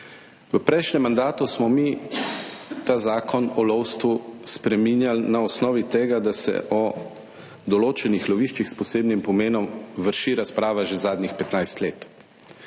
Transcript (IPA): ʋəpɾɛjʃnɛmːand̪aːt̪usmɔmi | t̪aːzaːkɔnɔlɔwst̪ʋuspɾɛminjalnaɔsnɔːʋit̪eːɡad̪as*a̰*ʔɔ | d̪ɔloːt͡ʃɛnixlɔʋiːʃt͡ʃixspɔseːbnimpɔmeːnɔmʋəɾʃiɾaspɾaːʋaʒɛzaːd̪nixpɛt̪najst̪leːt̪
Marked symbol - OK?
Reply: no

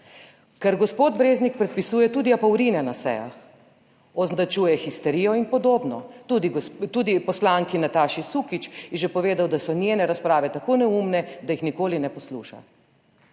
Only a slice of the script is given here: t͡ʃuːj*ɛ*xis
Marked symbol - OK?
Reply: yes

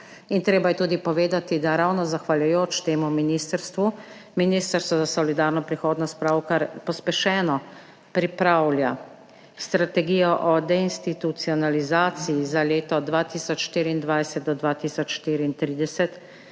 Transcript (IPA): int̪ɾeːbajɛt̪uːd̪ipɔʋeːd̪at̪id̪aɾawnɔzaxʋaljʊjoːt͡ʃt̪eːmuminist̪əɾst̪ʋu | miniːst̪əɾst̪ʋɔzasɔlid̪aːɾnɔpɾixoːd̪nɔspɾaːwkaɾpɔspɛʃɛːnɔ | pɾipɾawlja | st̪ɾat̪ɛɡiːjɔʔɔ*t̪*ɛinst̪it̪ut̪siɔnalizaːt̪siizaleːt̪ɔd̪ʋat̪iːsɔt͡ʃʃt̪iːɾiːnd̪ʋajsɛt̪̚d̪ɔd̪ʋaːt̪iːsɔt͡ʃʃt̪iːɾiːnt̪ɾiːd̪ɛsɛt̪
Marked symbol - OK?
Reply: no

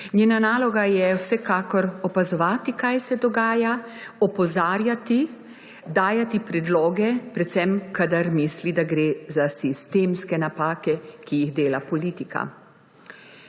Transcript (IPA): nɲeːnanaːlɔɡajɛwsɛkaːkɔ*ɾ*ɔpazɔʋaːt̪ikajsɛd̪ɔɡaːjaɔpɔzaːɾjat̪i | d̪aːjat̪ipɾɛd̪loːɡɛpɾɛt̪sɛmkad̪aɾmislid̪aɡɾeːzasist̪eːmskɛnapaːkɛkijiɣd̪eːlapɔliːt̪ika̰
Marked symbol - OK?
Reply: yes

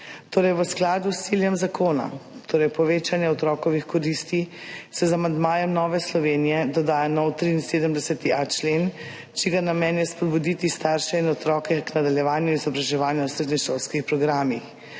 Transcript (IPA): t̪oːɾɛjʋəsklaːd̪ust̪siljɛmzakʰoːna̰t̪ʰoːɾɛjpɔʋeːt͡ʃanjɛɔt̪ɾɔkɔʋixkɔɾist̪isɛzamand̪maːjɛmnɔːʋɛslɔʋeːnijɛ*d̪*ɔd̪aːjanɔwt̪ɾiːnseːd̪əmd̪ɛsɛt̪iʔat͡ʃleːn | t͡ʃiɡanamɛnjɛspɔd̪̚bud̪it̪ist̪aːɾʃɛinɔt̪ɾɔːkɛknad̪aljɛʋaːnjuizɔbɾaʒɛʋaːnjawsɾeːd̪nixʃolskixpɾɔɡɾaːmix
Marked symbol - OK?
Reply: yes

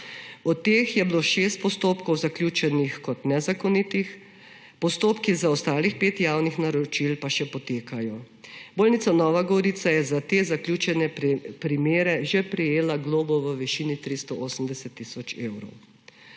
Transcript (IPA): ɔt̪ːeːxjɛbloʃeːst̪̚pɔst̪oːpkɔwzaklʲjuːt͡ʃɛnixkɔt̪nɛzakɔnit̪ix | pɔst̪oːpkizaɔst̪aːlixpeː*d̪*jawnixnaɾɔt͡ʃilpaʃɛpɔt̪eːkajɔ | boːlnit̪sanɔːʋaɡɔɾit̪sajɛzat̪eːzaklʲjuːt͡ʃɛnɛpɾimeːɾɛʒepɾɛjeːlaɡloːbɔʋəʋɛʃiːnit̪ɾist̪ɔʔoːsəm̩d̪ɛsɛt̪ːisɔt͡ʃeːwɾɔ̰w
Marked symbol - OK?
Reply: no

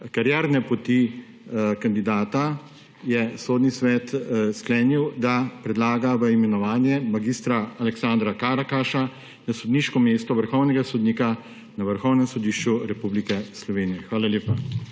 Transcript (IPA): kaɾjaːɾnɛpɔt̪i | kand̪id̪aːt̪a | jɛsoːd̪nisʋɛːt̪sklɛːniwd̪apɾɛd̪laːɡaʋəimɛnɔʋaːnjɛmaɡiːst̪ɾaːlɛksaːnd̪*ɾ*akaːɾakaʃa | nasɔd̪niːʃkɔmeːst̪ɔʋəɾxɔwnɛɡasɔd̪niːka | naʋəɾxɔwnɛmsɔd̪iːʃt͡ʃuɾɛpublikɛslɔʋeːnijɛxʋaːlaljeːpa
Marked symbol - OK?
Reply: yes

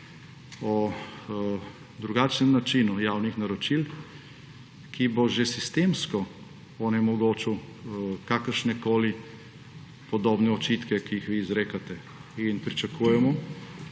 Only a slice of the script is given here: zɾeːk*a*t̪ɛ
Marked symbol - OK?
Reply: yes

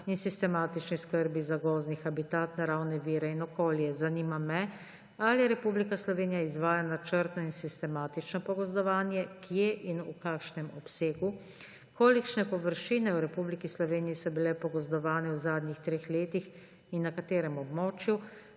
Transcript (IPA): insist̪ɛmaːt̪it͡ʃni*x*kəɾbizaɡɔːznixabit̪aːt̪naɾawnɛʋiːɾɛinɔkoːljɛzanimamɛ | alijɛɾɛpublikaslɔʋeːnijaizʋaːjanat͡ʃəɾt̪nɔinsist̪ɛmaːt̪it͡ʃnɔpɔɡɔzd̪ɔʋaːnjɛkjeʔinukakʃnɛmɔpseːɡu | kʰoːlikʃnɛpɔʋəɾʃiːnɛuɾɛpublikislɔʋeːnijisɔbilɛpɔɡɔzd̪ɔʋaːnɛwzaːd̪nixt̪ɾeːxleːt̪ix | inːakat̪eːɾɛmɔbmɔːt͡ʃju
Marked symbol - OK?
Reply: no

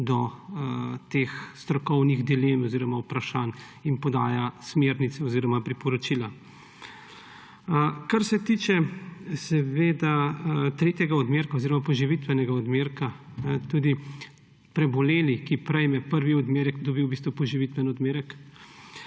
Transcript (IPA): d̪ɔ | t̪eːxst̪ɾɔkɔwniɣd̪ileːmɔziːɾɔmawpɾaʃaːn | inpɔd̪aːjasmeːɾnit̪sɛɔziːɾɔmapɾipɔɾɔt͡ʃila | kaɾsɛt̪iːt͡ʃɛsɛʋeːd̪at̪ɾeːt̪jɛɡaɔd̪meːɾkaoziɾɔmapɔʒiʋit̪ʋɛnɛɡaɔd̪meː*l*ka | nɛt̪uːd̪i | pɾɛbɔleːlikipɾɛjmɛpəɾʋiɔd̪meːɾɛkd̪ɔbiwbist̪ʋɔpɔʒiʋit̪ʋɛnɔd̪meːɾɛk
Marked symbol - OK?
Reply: no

